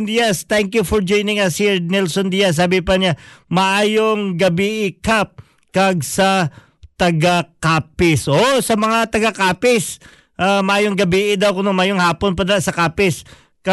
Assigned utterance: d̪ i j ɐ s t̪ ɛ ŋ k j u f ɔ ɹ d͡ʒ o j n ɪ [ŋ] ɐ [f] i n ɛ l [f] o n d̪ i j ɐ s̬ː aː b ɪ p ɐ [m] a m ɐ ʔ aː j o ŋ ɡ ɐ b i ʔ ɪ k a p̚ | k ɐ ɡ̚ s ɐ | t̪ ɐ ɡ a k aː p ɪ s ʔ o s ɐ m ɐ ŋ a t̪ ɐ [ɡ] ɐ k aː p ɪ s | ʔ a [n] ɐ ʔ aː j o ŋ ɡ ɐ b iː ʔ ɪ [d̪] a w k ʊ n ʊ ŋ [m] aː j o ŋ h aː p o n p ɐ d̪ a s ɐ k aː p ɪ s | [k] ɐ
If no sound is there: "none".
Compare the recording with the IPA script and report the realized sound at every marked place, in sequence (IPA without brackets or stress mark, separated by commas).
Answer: ŋ, s, s, ɲ, ɡ, m, d̪, m, k